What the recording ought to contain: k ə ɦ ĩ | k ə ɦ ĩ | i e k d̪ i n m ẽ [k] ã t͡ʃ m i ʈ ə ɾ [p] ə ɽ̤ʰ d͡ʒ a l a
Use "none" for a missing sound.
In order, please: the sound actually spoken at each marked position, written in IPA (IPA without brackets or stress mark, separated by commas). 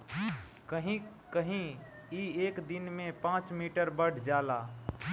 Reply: p, b